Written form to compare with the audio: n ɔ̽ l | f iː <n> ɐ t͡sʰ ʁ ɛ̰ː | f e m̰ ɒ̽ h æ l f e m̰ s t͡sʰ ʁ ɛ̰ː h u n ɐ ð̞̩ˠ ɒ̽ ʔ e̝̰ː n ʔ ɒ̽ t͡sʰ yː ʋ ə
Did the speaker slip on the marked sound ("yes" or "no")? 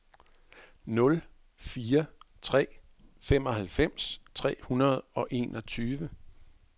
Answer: yes